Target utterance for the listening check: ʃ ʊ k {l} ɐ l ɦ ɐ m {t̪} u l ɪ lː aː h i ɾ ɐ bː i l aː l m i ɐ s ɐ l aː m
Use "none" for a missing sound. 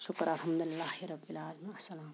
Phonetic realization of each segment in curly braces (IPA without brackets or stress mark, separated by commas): ɾ, d̪